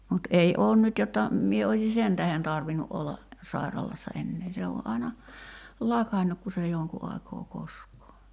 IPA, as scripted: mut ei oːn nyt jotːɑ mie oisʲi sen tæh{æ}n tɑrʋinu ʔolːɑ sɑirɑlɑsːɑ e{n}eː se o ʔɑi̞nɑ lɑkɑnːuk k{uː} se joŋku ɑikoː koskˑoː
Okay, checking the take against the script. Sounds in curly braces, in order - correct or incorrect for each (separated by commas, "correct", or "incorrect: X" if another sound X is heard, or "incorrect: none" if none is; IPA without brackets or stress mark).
incorrect: e, incorrect: nː, incorrect: u